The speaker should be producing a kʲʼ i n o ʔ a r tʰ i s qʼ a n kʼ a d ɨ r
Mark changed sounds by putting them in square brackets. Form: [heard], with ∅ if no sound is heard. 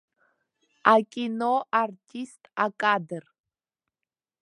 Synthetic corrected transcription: a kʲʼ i n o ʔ a r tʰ i s [tʼ] a [∅] kʼ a d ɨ r